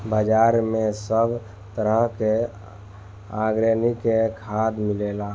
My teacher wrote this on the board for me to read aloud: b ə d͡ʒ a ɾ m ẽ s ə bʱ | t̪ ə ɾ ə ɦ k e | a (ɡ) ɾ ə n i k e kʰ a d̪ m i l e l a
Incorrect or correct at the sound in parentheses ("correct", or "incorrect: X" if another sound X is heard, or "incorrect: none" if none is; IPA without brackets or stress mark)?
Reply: correct